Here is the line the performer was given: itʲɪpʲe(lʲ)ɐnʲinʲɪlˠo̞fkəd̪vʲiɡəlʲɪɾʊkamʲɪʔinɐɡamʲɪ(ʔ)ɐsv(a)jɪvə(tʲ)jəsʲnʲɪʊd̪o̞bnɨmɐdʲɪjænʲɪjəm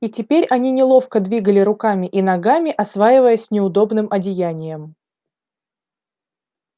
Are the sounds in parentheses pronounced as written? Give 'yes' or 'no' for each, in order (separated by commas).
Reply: no, yes, yes, no